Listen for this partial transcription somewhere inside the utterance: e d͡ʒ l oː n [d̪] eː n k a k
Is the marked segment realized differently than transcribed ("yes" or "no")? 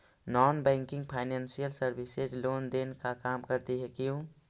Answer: no